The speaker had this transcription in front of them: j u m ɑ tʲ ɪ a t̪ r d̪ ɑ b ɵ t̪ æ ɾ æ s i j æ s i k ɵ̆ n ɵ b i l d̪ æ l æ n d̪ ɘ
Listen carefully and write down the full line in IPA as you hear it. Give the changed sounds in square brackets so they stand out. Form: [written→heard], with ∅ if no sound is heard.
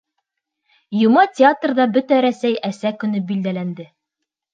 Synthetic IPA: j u m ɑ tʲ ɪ a t̪ r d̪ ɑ b ɵ t̪ æ ɾ æ s [i→æ] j æ s [i→æ] k ɵ̆ n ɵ b i l d̪ æ l æ n d̪ ɘ